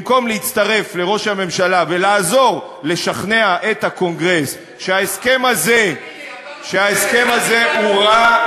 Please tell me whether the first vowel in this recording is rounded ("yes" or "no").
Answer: yes